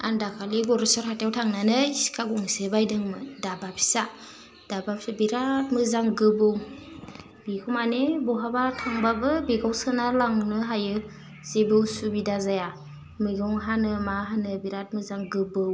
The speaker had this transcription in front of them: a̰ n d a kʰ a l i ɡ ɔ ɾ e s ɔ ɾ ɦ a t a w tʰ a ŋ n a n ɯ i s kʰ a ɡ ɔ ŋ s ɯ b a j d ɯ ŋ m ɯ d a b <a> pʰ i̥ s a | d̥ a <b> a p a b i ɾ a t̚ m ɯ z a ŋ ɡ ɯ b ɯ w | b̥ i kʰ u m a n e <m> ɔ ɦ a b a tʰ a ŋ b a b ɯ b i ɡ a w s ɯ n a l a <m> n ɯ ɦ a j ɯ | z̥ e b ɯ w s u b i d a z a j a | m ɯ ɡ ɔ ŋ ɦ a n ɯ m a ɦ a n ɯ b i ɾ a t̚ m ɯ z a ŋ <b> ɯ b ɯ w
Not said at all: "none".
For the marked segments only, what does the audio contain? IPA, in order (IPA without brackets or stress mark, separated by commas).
a, b, b, ŋ, ɡ